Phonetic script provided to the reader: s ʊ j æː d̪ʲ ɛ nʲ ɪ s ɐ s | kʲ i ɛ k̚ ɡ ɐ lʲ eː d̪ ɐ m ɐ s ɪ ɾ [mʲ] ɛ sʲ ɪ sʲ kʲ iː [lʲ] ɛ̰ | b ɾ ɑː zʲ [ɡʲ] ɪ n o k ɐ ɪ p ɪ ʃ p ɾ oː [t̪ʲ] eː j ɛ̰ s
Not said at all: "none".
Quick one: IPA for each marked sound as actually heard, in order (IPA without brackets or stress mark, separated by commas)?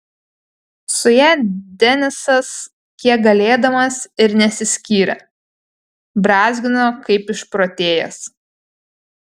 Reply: nʲ, ɾʲ, ɡʲ, t̪ʲ